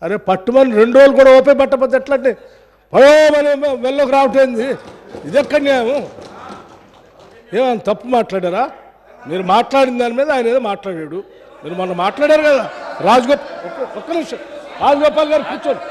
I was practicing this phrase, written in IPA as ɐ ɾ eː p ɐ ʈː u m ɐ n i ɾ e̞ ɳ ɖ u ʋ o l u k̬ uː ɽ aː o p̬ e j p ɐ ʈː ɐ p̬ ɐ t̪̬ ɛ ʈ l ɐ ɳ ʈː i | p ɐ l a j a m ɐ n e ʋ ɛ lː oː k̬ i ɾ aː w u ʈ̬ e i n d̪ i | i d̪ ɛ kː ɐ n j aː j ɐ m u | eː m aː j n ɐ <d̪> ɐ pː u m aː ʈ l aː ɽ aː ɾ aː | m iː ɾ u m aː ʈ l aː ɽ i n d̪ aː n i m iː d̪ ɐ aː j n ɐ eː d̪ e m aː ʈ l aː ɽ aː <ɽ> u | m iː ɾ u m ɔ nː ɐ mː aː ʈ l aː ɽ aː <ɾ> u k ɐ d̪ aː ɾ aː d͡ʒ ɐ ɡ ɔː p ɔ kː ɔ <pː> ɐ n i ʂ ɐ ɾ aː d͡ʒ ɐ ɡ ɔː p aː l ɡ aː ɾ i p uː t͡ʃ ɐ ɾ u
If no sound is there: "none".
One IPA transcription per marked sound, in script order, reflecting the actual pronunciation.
t̪, ɽ, ɾ, kː

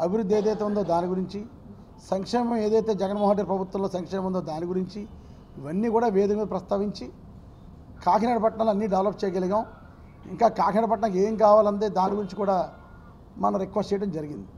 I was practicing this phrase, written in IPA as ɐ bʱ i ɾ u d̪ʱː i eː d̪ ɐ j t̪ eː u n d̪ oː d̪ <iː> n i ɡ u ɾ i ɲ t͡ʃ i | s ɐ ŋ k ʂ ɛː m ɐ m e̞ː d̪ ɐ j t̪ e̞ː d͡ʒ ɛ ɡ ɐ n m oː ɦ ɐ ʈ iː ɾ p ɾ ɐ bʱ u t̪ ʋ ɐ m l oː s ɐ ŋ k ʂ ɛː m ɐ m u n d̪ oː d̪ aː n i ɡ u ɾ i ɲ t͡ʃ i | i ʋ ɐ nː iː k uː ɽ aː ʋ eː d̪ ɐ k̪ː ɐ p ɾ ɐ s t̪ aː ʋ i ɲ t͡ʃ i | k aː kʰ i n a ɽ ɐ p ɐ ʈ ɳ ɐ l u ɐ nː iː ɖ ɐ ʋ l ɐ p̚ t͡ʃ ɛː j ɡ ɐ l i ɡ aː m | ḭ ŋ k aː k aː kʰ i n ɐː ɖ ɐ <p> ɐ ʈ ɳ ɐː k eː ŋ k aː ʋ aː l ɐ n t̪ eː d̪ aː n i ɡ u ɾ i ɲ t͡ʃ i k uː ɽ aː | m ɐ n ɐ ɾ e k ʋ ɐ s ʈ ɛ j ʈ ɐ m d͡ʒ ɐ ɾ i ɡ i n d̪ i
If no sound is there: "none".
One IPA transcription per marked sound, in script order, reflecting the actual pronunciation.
aː, p

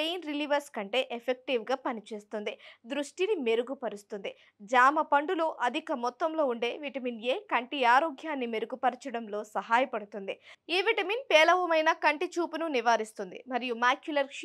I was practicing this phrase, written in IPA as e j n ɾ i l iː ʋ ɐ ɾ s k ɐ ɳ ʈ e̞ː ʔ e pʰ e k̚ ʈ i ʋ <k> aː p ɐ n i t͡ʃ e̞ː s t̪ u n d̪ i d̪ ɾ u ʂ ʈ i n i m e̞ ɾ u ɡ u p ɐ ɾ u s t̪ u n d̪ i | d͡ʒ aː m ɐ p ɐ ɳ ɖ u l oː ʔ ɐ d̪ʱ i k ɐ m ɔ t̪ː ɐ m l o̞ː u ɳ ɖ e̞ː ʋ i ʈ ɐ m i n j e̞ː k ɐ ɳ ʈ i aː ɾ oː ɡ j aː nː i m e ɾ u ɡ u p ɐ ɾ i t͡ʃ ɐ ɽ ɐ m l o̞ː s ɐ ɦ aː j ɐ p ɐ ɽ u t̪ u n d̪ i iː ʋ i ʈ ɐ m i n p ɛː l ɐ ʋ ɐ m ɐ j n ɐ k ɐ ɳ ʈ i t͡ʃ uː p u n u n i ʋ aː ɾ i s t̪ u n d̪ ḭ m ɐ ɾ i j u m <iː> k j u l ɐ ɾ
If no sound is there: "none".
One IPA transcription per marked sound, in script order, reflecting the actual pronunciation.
ɡ, aː

